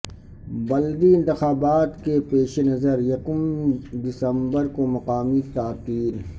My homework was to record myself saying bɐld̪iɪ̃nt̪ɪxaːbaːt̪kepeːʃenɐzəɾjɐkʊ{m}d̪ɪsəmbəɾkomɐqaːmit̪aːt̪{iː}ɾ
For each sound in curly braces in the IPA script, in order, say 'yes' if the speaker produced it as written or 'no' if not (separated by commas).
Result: yes, yes